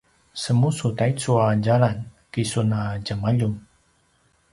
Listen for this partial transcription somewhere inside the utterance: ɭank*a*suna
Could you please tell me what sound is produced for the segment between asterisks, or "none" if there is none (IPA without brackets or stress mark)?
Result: i